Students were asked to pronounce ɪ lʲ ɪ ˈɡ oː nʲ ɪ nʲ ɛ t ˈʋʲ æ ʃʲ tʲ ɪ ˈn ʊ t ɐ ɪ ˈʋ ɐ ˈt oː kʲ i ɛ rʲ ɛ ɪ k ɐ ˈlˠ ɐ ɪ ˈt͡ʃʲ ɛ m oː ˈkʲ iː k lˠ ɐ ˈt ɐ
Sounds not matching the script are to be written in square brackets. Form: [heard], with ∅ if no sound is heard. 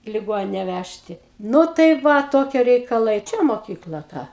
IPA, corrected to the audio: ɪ lʲ ɪ ˈɡ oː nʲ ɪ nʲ ɛ [∅] ˈʋʲ æ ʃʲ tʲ ɪ ˈn ʊ t ɐ ɪ ˈʋ ɐ ˈt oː kʲ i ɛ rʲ ɛ ɪ k ɐ ˈlˠ ɐ ɪ ˈt͡ʃʲ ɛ m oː ˈkʲ iː k lˠ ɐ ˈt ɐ